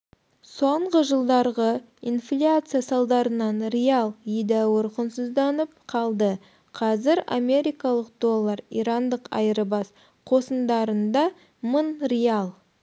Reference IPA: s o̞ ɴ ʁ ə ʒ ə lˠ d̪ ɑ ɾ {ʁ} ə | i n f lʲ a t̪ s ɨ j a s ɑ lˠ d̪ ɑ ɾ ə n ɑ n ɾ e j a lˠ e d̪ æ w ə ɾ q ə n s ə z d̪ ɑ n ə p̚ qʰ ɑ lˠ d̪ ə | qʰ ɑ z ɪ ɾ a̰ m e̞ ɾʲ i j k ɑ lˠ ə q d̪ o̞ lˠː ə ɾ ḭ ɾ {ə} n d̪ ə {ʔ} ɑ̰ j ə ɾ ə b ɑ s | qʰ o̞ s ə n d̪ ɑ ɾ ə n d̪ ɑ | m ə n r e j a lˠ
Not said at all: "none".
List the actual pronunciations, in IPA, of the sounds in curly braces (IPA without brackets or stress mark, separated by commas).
ʁ, ɑ, q